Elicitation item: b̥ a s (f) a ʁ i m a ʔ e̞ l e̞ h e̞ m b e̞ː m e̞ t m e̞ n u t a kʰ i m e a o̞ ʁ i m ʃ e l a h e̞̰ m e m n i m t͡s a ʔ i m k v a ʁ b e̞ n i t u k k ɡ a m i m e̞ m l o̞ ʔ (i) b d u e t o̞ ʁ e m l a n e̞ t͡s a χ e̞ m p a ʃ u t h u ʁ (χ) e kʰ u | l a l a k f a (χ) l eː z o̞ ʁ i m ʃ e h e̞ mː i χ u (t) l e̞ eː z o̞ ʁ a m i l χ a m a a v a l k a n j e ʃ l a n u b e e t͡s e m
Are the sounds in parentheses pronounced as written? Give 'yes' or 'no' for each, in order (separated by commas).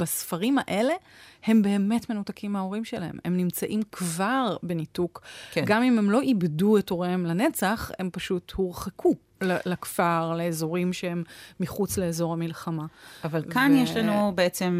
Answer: yes, yes, yes, no, no